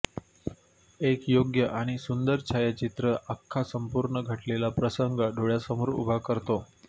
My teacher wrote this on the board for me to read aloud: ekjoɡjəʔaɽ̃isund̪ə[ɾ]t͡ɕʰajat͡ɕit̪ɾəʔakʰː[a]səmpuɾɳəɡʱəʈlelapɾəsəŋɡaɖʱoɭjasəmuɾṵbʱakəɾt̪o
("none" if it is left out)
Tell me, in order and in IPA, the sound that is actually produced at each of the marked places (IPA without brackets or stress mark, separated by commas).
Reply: ɾ, a